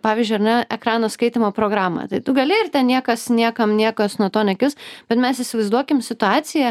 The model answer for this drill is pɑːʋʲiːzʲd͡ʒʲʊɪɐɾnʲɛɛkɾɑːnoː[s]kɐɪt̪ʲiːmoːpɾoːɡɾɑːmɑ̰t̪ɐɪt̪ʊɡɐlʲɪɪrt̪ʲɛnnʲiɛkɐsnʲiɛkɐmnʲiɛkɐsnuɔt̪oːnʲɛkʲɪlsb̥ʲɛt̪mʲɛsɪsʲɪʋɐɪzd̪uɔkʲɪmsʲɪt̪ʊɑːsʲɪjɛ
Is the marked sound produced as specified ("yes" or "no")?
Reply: yes